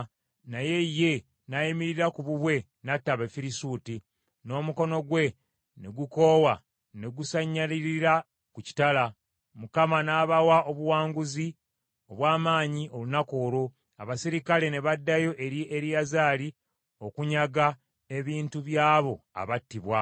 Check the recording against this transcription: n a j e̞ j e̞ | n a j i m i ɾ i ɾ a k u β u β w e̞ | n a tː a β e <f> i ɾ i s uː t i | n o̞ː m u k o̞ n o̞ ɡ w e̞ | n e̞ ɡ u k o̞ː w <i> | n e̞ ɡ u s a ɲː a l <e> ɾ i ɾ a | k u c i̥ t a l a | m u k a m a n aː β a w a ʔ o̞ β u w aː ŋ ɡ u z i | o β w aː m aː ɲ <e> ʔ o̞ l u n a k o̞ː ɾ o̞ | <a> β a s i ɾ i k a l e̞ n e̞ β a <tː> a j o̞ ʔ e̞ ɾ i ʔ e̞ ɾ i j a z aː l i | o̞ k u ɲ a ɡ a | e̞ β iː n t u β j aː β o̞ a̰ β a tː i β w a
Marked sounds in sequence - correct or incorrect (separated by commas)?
correct, incorrect, incorrect, incorrect, correct, incorrect